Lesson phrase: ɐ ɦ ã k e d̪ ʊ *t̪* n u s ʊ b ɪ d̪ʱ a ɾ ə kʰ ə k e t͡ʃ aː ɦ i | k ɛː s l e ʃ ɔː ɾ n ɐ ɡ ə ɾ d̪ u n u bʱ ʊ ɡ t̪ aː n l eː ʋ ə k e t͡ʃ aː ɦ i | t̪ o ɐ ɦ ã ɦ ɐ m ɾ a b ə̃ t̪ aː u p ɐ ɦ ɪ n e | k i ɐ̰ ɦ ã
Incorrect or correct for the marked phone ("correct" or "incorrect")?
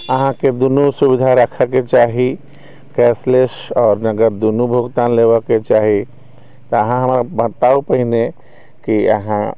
incorrect